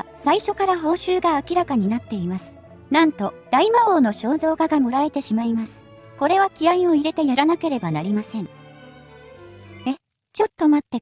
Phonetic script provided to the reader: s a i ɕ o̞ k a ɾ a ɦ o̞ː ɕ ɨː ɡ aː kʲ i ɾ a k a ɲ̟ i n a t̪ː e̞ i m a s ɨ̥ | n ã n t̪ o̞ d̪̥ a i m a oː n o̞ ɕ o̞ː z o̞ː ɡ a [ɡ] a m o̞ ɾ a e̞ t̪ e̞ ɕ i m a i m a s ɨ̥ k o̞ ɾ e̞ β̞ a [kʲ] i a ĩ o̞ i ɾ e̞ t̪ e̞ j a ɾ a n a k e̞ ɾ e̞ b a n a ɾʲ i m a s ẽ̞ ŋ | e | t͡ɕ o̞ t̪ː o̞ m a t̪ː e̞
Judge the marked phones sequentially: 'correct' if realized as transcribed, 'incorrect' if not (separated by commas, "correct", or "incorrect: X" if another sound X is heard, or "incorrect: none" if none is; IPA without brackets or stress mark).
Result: correct, correct